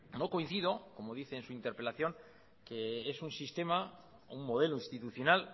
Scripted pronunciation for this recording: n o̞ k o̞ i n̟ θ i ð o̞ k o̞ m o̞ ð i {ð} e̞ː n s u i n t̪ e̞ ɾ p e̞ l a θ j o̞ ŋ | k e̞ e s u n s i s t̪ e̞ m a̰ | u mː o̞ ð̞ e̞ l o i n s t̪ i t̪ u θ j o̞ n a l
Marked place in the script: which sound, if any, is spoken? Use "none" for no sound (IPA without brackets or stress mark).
θ